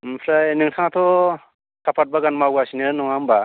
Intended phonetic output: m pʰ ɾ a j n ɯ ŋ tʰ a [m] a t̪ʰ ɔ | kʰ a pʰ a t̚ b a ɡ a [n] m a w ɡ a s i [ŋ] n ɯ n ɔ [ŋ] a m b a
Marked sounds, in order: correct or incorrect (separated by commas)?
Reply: incorrect, correct, incorrect, correct